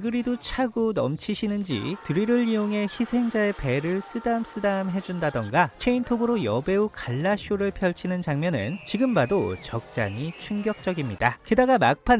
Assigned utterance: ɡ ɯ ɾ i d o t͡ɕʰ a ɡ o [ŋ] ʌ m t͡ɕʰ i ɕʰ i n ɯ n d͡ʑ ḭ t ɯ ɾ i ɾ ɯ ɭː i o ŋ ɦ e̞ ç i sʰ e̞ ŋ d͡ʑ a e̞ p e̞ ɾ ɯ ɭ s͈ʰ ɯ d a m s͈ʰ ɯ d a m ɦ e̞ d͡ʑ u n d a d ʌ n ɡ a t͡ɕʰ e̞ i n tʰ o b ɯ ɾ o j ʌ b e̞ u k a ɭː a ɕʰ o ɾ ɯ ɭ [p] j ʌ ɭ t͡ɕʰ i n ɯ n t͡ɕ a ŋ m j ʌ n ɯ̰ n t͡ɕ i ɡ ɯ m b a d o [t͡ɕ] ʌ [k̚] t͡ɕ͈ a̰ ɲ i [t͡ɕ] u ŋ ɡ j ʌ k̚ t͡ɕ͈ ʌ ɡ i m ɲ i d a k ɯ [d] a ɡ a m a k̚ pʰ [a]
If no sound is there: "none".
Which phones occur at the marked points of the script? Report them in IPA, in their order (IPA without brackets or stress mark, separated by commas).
n, pʰ, t͡ɕ, k̚, t͡ɕʰ, d, a